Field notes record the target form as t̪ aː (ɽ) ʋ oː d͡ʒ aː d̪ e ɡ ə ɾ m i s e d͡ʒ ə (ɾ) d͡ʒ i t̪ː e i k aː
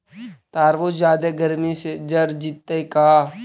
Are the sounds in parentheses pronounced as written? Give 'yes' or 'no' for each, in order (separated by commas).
no, yes